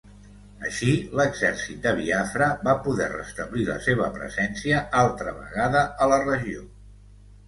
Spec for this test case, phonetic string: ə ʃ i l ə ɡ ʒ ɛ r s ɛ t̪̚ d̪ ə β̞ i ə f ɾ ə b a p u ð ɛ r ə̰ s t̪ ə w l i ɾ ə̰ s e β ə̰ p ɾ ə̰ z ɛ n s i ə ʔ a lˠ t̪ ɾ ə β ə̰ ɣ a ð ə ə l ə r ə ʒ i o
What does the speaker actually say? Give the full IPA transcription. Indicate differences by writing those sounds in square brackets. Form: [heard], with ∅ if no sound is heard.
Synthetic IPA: ə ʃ i l ə ɡ [z] ɛ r s [i] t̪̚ d̪ ə β̞ i [a] f ɾ ə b a p u ð ɛ r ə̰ s t̪ ə [β] l i [l] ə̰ s e β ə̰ p ɾ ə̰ z ɛ n s i ə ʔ a lˠ t̪ ɾ ə β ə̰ ɣ a ð ə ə l ə r ə ʒ i o